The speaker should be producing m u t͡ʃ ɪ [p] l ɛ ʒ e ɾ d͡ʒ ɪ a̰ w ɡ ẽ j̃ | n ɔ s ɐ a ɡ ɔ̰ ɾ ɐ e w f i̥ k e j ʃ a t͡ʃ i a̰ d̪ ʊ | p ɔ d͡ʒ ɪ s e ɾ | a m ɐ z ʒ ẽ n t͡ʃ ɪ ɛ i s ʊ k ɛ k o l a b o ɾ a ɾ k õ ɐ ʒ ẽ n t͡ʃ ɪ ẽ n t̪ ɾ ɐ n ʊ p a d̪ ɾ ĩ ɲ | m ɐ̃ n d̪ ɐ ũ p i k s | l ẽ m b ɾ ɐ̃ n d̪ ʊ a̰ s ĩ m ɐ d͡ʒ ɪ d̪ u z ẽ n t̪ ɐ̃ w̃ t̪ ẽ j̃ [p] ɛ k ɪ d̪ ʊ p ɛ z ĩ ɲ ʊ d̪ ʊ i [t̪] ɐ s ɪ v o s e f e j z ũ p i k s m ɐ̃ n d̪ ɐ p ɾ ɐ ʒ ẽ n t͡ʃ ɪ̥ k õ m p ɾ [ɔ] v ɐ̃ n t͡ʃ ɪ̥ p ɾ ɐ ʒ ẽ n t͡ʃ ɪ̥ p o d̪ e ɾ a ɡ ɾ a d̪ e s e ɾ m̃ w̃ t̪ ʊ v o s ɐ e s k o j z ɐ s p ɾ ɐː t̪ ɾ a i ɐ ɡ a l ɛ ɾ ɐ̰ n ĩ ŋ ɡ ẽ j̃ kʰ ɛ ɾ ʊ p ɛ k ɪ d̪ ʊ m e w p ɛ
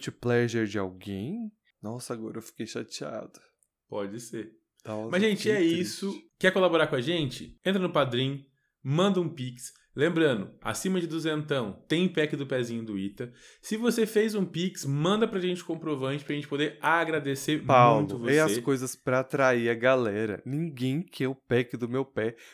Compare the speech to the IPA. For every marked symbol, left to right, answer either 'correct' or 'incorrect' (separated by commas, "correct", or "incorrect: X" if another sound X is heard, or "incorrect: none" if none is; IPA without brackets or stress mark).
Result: correct, correct, correct, incorrect: o